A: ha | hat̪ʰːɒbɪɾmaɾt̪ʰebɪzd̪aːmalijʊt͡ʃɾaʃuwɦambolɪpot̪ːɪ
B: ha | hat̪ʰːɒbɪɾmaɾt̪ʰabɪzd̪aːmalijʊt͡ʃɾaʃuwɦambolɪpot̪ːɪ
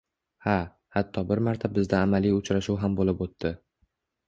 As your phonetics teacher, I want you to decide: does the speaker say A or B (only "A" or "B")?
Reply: B